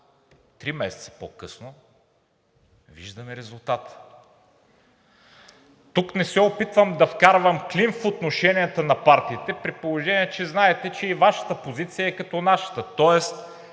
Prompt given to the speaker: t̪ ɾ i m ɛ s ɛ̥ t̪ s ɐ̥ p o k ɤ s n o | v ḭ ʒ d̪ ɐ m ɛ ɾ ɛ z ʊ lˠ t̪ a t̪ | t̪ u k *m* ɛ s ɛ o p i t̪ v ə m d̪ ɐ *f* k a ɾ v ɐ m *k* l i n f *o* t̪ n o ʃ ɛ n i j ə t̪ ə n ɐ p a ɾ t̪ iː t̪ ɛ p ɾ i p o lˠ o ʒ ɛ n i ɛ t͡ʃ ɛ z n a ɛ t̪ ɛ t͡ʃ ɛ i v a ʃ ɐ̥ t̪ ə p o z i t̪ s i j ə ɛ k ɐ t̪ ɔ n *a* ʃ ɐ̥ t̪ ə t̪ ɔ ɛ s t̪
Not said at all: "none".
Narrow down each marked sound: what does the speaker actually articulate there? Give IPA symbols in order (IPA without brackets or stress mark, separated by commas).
n, f, k, o, a